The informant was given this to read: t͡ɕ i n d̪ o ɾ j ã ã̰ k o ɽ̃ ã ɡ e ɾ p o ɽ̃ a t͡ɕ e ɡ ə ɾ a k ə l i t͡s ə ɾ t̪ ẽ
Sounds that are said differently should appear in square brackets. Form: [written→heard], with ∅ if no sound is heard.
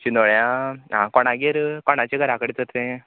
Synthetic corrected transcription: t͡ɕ i n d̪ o [ɾ→ɭ] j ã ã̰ k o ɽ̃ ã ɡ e ɾ [p→k] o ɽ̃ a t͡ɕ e ɡ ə ɾ a k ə [l→ɽ] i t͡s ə ɾ t̪ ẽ